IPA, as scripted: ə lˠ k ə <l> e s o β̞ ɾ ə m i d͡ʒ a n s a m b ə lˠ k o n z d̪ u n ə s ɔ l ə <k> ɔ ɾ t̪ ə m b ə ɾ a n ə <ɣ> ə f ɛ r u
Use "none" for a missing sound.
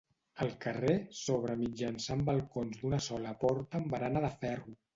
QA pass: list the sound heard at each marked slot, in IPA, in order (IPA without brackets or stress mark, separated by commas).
r, p, ð